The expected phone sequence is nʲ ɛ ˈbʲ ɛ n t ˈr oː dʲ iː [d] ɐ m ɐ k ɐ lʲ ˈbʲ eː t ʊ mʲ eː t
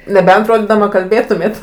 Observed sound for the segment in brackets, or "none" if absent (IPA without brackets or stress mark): d